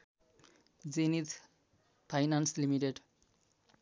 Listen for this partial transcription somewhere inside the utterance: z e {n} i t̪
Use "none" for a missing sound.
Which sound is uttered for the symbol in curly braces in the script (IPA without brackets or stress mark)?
n